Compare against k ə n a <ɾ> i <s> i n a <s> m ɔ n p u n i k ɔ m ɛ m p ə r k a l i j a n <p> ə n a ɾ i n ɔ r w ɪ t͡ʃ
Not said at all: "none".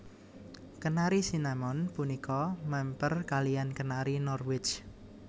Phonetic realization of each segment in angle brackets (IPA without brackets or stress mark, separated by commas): ɾ, s, none, k